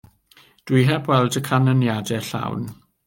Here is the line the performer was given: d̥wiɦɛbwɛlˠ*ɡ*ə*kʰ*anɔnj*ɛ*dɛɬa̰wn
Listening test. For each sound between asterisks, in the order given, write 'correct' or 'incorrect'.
incorrect, correct, incorrect

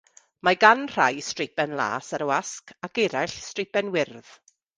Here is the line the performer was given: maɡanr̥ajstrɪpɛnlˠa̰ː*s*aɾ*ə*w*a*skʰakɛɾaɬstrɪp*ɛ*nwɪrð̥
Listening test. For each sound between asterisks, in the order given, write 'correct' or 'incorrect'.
correct, correct, correct, correct

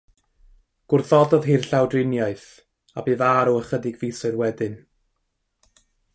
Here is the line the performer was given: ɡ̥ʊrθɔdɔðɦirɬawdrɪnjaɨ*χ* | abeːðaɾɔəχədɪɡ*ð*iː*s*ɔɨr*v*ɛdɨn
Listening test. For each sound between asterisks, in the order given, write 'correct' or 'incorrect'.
incorrect, incorrect, correct, incorrect

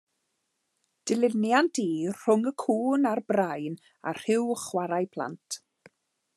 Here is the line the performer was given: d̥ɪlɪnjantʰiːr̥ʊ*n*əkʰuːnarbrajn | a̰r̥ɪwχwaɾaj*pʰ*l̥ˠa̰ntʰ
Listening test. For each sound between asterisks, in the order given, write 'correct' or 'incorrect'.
incorrect, correct

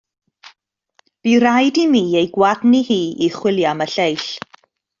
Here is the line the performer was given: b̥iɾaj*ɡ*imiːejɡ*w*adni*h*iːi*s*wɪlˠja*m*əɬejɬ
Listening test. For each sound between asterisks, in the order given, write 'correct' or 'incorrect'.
incorrect, correct, correct, incorrect, correct

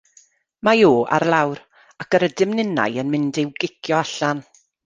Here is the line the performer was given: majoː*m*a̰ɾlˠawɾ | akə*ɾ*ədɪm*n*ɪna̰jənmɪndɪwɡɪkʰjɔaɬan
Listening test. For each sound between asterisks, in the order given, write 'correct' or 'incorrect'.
incorrect, correct, correct

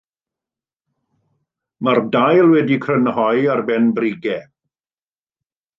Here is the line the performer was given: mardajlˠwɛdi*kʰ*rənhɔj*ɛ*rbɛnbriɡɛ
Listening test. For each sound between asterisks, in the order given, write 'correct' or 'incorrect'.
correct, incorrect

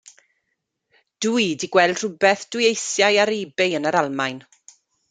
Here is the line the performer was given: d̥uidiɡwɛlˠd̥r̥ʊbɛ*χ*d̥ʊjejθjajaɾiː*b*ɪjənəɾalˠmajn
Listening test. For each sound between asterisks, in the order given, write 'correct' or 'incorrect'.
incorrect, correct

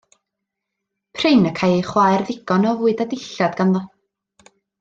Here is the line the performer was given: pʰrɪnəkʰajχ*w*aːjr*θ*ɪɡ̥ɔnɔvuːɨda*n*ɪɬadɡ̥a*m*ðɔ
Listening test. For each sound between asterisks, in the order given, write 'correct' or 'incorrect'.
correct, incorrect, incorrect, incorrect

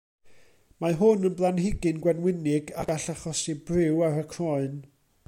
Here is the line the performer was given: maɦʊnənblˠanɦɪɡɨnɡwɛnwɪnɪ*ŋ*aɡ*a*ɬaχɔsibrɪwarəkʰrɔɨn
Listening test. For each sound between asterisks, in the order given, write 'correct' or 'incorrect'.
incorrect, correct

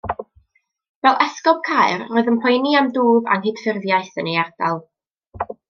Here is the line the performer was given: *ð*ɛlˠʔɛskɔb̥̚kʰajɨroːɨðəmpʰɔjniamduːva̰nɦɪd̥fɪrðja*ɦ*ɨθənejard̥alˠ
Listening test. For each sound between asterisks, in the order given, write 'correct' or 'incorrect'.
incorrect, incorrect

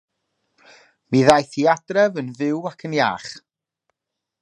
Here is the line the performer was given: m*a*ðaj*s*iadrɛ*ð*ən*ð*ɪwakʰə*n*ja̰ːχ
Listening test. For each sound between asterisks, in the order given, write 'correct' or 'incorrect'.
incorrect, incorrect, incorrect, incorrect, correct

